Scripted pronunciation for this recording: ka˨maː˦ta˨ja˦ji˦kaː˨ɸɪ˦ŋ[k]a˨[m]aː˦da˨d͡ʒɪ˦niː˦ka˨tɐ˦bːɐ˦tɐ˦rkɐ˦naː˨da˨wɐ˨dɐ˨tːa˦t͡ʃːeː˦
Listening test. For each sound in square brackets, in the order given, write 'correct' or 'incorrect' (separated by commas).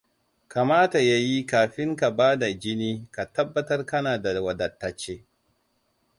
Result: correct, incorrect